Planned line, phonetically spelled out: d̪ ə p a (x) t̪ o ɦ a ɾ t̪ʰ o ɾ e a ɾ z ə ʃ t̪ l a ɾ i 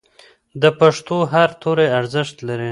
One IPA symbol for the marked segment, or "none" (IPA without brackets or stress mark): ʂ